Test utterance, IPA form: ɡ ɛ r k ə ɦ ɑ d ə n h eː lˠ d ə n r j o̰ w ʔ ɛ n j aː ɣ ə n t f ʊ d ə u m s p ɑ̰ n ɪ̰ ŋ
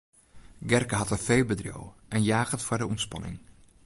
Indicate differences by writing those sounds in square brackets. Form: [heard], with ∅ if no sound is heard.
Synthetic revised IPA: ɡ ɛ r k ə ɦ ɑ [t] ə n [f] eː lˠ [b] ə [d] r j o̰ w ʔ ɛ n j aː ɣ ə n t f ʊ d ə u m s p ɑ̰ n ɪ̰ ŋ